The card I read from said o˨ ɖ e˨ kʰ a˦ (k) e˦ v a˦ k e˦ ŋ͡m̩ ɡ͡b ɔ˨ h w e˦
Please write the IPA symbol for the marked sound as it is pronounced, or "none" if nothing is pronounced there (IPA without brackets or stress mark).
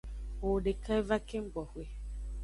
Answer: none